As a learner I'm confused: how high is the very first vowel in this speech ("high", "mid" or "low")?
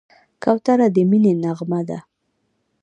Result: low